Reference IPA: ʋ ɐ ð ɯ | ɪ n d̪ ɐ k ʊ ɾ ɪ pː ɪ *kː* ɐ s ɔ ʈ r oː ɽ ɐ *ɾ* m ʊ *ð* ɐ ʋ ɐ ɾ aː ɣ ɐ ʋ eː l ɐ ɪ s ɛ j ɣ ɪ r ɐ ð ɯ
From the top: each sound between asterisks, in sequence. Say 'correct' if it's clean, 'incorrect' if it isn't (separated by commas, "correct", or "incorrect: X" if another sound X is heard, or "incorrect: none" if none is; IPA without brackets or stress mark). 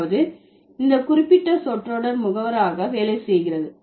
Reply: incorrect: ʈː, correct, incorrect: ɣ